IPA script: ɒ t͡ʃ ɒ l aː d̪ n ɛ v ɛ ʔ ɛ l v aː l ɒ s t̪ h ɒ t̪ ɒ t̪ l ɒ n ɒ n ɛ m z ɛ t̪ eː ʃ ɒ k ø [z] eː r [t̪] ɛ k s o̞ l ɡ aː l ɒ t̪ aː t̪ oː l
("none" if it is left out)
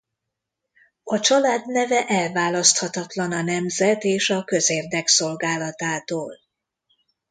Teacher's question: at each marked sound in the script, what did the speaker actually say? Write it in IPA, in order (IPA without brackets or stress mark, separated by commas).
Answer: z, d̪